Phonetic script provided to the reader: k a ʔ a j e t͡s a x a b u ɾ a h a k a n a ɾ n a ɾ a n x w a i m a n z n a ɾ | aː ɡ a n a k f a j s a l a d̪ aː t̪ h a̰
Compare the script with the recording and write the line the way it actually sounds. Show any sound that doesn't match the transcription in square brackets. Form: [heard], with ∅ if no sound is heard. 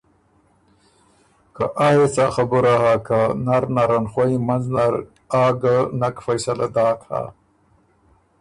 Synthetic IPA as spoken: k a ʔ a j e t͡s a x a b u ɾ a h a k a n a ɾ n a ɾ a n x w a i m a n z n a ɾ | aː ɡ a n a k f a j s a l a d̪ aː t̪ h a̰